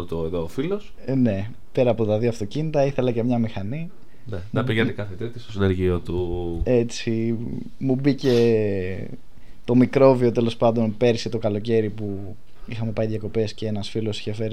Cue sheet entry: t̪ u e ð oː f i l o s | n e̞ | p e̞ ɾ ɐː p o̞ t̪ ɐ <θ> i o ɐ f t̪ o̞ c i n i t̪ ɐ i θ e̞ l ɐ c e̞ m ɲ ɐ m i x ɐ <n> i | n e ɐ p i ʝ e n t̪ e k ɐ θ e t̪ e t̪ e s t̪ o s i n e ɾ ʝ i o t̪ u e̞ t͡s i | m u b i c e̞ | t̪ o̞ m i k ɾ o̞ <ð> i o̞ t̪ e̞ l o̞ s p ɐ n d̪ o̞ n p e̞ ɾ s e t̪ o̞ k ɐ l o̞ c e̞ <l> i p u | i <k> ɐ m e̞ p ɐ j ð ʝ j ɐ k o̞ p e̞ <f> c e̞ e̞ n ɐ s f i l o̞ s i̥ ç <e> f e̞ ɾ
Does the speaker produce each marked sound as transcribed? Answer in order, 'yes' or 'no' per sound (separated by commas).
no, yes, no, no, no, no, yes